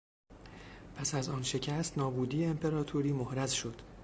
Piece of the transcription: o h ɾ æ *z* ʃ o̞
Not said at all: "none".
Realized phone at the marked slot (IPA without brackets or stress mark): z